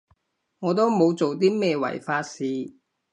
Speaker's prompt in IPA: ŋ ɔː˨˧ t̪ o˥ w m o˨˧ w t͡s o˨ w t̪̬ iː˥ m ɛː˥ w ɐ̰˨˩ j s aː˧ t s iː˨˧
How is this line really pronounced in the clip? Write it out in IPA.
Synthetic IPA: ŋ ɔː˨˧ t̪ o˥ w m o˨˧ w t͡s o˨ w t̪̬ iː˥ m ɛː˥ w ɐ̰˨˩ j f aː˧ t s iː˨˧